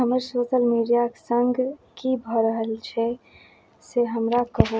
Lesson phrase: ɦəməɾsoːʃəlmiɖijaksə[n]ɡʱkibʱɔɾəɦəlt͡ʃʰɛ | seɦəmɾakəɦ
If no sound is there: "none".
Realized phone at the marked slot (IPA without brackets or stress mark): ŋ